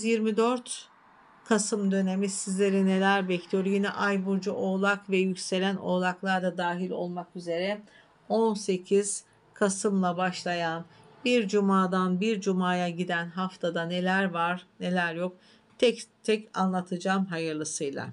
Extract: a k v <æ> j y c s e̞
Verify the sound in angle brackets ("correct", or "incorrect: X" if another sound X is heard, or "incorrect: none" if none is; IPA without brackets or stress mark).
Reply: incorrect: ɛ